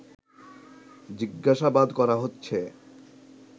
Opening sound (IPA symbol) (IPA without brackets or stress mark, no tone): d͡ʑ